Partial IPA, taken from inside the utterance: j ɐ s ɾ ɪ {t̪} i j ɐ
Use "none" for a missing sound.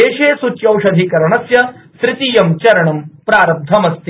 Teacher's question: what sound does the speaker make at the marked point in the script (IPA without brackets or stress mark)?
t̪